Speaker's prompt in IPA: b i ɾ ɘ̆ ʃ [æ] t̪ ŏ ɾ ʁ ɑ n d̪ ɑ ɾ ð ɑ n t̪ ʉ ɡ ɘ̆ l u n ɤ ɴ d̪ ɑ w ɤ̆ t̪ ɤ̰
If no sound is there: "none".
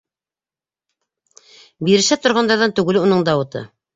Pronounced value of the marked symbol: æ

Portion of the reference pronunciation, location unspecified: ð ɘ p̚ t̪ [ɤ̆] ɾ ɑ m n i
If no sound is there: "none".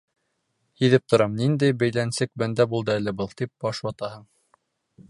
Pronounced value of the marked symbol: ŏ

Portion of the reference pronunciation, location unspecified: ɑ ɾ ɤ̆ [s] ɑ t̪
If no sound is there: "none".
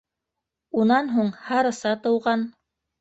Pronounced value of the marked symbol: s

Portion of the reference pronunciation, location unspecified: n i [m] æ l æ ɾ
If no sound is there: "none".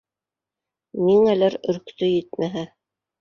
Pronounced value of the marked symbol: ŋ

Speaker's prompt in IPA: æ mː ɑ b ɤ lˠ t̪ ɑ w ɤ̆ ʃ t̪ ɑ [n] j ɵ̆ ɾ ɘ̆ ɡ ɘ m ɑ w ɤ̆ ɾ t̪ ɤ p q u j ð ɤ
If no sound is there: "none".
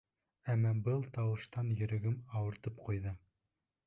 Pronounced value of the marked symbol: n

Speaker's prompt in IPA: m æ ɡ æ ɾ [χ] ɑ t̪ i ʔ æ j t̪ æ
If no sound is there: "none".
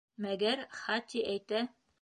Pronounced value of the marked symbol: χ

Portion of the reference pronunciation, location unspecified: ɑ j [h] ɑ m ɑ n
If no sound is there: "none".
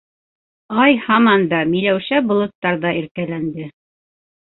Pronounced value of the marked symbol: h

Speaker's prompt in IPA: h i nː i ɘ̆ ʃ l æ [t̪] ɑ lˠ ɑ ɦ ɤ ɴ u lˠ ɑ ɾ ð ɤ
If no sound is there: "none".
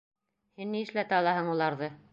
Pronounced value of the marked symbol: t̪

